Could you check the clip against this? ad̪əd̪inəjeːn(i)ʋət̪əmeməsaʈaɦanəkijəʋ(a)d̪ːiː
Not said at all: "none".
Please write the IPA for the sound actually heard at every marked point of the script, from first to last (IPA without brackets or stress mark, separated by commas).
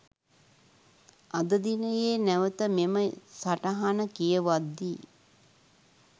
æ, a